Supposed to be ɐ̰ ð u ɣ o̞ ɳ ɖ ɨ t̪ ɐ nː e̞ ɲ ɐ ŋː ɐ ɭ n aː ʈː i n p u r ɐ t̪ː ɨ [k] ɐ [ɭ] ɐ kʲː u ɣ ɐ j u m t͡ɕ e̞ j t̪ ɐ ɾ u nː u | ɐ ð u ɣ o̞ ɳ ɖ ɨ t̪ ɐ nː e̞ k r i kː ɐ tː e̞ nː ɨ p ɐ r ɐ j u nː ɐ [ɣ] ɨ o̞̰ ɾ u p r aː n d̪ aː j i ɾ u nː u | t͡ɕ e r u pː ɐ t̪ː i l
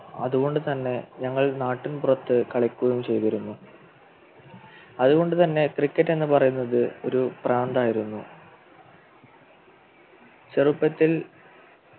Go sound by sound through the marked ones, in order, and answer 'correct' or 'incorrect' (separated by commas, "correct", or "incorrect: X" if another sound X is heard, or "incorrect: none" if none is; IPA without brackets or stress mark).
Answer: correct, correct, incorrect: ð